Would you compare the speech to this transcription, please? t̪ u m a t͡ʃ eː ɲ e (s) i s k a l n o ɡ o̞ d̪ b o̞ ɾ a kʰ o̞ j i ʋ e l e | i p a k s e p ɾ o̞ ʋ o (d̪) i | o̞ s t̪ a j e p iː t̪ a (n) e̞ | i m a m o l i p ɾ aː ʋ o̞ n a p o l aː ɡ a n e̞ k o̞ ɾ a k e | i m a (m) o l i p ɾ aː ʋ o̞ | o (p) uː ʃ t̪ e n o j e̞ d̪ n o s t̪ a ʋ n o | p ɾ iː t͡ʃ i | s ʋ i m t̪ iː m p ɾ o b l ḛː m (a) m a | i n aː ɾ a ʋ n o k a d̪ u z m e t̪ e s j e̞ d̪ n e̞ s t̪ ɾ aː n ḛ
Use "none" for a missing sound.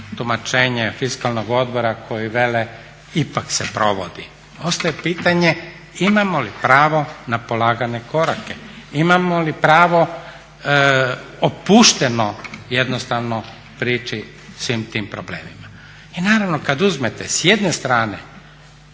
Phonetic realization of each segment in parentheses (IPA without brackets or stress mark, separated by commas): f, d̪, ɲ, m, p, i